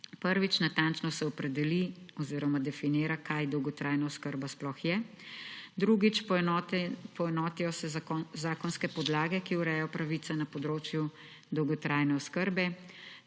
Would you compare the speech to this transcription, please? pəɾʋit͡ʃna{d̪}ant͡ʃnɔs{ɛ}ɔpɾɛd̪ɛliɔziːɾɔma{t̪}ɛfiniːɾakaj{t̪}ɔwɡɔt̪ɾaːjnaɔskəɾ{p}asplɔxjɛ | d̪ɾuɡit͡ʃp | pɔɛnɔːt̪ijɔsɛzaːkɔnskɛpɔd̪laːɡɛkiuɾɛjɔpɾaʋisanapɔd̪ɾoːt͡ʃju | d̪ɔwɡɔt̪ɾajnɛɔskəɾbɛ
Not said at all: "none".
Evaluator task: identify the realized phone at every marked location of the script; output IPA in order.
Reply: t̪, ɛ, d̪, d̪, b

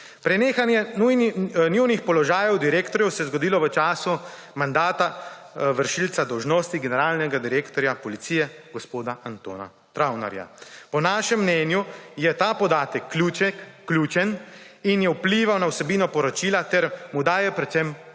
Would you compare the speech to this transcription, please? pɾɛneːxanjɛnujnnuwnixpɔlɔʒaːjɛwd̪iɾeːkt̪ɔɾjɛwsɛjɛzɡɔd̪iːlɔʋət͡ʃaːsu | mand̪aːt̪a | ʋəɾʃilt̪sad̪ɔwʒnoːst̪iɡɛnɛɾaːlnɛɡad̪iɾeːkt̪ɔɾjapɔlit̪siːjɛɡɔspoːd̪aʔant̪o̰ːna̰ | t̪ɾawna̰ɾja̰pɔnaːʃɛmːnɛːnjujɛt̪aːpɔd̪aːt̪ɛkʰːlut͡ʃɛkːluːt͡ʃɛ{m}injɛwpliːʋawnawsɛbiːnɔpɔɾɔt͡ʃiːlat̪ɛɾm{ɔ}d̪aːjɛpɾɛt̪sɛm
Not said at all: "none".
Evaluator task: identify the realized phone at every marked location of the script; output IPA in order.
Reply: n, u

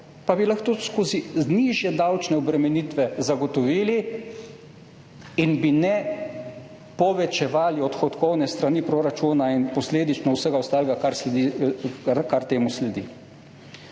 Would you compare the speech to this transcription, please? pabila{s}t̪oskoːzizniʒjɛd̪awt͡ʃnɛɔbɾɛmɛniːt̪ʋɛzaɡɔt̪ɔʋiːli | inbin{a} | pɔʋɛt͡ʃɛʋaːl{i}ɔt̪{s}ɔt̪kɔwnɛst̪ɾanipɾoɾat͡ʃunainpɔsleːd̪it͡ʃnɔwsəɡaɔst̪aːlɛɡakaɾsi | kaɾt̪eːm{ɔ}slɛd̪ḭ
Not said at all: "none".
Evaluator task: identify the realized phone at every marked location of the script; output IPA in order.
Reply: x, ɛ, i, x, u

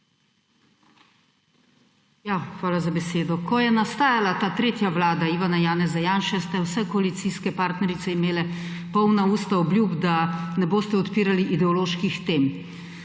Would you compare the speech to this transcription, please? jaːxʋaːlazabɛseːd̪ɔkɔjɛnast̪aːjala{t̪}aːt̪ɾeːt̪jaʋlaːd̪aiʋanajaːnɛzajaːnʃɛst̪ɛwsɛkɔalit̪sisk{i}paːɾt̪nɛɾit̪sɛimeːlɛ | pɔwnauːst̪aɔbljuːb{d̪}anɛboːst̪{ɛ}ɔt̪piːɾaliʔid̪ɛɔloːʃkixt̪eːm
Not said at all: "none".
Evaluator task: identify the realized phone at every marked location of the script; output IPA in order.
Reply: t̪, ɛ, d̪, ɛ

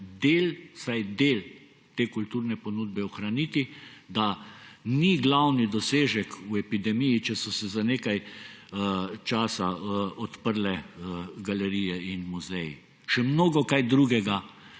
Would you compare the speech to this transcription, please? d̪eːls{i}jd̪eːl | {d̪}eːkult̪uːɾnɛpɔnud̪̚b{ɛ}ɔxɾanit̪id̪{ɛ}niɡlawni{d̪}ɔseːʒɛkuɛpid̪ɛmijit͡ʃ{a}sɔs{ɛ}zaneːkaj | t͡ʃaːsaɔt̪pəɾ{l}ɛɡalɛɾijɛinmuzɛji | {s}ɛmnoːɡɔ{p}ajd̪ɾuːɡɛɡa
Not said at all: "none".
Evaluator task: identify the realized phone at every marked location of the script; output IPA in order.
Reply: a, t̪, ɛ, a, d̪, ɛ, ɛ, l, ʃ, k

